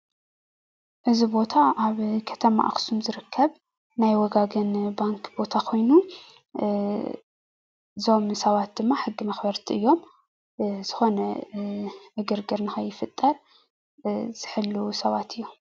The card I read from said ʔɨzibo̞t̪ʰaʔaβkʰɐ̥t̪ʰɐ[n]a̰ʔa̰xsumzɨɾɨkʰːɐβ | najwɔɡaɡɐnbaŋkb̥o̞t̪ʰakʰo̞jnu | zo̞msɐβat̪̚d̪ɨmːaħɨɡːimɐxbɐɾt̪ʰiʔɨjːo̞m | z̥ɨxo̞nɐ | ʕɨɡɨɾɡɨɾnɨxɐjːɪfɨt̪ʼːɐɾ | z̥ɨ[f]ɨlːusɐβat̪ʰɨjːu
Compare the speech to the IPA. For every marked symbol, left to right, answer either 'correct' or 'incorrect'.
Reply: incorrect: m, incorrect: ħ

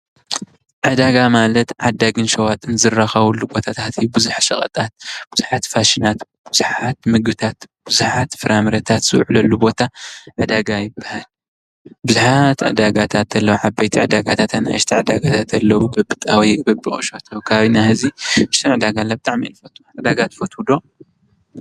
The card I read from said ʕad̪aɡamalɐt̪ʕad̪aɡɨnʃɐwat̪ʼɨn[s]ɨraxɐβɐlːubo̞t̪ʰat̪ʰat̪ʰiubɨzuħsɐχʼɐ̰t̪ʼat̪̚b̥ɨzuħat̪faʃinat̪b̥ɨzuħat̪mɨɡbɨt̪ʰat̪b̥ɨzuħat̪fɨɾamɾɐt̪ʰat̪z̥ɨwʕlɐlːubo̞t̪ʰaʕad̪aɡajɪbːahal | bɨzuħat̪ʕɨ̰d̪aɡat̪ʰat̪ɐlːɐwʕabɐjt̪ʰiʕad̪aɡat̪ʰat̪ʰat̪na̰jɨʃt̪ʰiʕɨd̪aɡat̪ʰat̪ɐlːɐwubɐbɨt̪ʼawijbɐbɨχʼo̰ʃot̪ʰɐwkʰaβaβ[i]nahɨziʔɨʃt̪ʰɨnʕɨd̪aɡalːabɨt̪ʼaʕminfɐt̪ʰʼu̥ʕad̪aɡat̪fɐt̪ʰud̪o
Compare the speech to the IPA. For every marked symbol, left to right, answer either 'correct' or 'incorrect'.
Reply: incorrect: z, correct

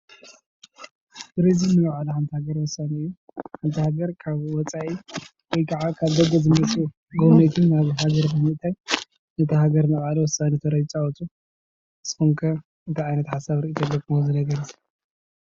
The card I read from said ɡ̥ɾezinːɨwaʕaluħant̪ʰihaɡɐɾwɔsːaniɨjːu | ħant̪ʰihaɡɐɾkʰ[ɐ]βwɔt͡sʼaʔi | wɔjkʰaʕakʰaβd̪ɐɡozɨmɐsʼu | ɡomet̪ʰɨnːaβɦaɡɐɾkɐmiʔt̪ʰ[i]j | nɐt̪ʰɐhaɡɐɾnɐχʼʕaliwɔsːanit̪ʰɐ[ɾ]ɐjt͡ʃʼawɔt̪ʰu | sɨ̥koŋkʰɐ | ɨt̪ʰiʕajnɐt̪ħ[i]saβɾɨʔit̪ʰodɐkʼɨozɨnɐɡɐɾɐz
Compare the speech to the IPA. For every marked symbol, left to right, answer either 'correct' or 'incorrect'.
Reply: incorrect: a, incorrect: a, correct, incorrect: a

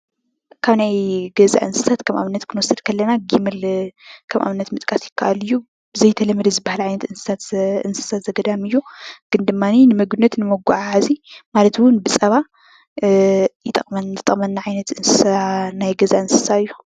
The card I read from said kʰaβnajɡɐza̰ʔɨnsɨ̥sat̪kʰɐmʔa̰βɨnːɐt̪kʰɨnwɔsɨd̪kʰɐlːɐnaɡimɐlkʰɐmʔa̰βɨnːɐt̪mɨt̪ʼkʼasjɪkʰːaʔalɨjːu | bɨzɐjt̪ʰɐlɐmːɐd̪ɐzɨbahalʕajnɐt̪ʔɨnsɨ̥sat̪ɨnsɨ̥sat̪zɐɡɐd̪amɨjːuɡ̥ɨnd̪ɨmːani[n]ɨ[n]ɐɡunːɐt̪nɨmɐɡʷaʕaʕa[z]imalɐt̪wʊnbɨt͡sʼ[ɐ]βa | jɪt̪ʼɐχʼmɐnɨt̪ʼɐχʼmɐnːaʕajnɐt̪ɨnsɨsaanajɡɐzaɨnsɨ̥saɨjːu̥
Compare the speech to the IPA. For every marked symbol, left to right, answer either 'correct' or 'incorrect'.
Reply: correct, incorrect: m, correct, correct

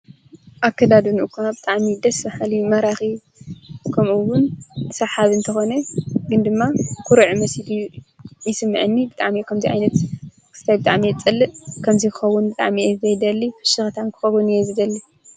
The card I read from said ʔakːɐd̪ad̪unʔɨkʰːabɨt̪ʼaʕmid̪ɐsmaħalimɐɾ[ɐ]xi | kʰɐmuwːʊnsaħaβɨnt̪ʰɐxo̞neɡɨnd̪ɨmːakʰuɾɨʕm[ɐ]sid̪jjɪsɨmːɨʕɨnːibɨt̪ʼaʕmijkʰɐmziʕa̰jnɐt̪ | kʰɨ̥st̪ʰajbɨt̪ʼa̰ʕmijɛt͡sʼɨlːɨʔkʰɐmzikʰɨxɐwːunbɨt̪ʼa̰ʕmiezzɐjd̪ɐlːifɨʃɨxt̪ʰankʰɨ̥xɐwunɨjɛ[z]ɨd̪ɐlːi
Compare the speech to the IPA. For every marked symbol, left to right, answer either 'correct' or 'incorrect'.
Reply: incorrect: a, correct, correct

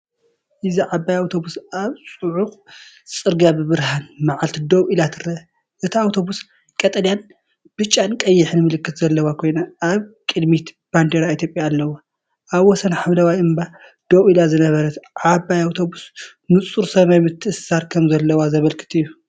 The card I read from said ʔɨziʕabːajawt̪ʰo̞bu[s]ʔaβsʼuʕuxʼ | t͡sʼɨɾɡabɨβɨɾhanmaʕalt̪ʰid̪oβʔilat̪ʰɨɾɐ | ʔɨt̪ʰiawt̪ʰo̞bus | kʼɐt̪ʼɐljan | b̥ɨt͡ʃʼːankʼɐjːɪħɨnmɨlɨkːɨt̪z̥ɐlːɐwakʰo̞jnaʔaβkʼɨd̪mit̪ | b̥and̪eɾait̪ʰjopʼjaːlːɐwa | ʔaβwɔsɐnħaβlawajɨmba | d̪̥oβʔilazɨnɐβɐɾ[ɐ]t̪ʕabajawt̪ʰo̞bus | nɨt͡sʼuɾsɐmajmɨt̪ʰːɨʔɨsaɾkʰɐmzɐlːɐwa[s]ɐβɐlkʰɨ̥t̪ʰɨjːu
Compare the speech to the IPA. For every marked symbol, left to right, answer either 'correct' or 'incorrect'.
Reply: correct, correct, incorrect: z

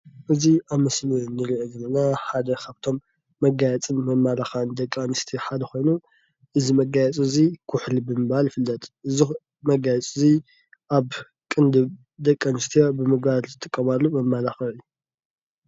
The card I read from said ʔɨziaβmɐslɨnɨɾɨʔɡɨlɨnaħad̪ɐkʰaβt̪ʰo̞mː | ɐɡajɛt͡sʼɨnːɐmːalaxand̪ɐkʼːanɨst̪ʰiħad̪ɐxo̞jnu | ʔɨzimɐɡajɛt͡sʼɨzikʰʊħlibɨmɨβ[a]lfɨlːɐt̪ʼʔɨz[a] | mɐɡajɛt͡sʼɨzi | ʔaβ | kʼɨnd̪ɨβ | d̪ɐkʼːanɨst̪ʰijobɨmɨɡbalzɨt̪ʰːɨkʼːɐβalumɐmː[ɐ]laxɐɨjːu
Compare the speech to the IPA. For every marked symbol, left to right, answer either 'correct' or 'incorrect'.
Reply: correct, incorrect: i, incorrect: a

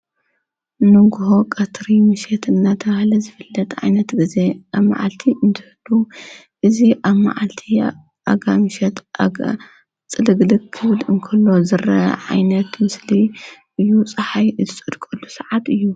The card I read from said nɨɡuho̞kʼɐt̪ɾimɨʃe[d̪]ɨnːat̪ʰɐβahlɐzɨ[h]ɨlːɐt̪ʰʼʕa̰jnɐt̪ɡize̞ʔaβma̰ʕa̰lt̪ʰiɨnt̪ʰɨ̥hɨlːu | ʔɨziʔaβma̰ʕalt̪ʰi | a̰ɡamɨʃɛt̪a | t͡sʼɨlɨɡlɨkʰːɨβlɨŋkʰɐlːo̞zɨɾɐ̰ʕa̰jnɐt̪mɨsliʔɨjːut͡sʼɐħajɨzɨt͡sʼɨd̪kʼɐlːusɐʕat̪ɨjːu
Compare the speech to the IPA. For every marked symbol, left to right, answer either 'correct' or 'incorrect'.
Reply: incorrect: t̪, incorrect: f

